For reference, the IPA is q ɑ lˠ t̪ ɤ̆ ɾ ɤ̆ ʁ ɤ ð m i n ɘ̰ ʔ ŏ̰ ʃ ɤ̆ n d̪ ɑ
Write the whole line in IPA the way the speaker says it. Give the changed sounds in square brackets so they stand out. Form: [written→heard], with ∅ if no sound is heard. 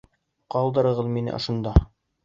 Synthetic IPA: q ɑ lˠ [t̪→d̪] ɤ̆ ɾ ɤ̆ ʁ ɤ ð m i n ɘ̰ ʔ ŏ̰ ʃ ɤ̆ n d̪ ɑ